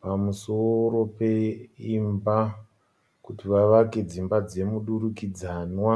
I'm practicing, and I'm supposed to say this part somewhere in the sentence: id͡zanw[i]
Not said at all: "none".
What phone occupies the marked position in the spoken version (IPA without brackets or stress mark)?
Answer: a